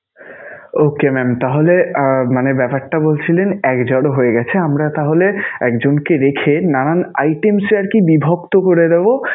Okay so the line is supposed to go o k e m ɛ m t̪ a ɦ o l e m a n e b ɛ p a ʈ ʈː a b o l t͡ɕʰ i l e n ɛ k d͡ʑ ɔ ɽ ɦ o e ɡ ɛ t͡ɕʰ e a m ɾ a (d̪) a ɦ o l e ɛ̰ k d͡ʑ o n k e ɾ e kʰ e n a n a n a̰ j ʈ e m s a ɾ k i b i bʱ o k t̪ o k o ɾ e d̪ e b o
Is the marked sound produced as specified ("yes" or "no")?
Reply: no